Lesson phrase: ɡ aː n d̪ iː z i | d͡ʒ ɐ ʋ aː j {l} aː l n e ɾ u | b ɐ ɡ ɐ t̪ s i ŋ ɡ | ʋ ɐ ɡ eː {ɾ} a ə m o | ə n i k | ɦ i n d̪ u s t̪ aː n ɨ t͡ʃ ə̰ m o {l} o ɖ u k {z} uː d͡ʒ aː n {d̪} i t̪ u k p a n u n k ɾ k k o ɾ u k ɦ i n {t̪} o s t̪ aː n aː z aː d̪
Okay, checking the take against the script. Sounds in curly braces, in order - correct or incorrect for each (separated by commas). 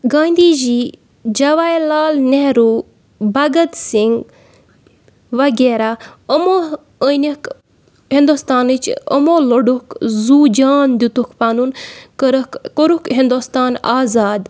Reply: correct, correct, correct, correct, correct, incorrect